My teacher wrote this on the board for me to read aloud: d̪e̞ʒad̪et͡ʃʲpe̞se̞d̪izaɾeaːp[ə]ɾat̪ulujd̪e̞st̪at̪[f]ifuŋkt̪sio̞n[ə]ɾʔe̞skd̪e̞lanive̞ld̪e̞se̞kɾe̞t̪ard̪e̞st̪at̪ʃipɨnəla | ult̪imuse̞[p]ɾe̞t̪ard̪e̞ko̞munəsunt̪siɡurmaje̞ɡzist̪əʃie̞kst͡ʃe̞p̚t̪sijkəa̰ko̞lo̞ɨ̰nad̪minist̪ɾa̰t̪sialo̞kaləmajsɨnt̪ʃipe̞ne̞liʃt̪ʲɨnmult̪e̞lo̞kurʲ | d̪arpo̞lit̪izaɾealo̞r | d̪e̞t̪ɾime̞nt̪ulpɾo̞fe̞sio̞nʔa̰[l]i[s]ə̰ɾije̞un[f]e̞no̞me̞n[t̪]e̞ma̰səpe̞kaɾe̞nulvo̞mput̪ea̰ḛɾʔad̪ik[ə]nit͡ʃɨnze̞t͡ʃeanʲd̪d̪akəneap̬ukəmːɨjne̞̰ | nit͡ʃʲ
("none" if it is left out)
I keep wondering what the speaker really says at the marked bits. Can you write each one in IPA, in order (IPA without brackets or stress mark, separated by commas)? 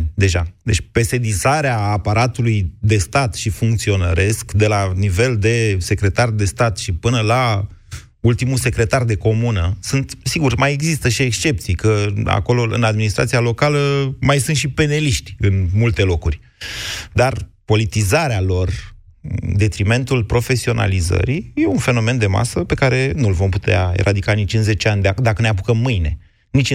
a, ʃ, ə, k, l, z, f, d̪, a